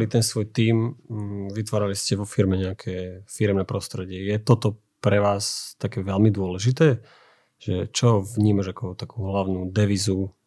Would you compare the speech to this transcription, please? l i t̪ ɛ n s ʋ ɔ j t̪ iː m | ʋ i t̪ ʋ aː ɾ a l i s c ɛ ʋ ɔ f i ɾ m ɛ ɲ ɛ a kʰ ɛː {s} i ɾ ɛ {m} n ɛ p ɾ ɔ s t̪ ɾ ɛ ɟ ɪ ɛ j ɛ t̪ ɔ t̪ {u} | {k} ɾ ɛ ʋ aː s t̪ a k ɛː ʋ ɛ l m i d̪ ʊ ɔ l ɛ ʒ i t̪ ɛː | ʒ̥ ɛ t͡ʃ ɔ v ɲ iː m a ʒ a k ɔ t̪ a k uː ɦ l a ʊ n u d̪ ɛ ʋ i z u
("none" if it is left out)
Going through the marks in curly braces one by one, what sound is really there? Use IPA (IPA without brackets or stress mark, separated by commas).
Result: f, m, ɔ, p